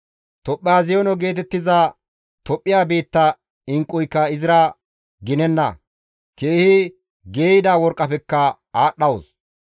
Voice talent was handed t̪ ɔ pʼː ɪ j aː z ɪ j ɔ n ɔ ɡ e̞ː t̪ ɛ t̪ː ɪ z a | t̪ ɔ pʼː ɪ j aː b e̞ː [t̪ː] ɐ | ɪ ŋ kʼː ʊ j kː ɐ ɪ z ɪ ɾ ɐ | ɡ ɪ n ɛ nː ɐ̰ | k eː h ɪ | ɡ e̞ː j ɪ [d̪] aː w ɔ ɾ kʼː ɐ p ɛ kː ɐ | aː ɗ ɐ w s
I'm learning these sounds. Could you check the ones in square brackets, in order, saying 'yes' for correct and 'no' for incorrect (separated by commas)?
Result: yes, yes